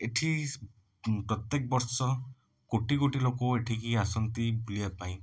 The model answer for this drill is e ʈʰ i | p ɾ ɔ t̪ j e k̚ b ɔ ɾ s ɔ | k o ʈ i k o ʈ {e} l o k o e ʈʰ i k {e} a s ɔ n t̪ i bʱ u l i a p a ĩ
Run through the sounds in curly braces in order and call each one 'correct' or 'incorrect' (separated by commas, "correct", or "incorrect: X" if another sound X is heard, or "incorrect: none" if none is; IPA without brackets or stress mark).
incorrect: i, incorrect: i